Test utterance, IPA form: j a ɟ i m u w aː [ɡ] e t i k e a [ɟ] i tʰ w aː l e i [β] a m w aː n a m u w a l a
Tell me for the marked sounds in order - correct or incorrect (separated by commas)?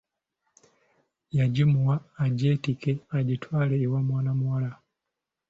incorrect, correct, incorrect